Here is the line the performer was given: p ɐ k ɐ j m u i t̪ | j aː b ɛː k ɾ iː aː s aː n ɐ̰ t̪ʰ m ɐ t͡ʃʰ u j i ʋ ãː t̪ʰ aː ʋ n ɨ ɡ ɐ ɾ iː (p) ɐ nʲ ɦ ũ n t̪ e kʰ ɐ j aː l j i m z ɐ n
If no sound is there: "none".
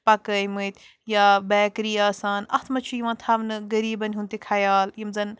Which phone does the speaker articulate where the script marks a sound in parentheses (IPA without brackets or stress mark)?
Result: b